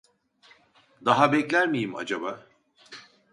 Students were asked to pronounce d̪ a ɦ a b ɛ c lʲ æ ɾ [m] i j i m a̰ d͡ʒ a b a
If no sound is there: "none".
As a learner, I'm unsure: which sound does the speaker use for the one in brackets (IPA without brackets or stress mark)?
m